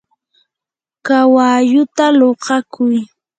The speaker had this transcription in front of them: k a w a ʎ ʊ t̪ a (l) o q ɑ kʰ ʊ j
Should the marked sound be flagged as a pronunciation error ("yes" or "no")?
no